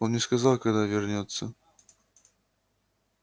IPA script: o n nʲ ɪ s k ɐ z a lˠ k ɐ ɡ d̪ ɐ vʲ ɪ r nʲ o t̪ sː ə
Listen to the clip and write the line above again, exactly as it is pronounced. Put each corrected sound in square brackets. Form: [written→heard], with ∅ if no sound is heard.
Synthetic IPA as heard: o n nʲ ɪ s k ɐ z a lˠ k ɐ ɡ d̪ [ɐ→a] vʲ ɪ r nʲ o t̪ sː ə

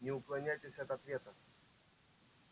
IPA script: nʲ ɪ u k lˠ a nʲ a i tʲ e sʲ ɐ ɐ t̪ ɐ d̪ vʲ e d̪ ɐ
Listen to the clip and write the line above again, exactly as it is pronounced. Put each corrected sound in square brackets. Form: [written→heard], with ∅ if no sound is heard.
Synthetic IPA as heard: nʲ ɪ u k lˠ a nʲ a [i→j] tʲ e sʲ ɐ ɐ t̪ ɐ [d̪→t̪] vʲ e [d̪→t̪] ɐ

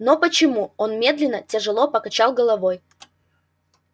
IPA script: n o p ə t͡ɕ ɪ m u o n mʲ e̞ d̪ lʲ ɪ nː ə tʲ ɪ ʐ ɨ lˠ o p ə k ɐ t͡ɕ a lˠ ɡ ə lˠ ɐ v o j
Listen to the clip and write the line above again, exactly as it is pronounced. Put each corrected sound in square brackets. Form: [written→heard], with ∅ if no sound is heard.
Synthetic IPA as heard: n o p ə t͡ɕ ɪ m u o n mʲ e̞ d̪ lʲ ɪ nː ə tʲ ɪ ʐ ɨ lˠ o p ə k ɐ t͡ɕ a lˠ ɡ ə lˠ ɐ v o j

